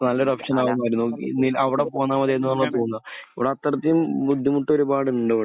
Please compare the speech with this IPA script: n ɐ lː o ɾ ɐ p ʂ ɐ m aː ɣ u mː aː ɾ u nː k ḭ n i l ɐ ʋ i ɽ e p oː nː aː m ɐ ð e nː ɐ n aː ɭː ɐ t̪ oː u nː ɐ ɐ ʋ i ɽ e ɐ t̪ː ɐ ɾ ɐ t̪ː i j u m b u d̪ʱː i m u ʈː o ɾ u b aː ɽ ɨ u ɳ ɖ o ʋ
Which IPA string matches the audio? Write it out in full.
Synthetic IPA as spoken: n ɐ lː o ɾ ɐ p ʂ ɐ n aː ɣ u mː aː ɾ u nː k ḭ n i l ɐ ʋ i ɽ e p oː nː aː m ɐ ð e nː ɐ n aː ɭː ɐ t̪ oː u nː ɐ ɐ ʋ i ɽ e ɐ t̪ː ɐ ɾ ɐ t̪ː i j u m b u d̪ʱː i m u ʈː o ɾ u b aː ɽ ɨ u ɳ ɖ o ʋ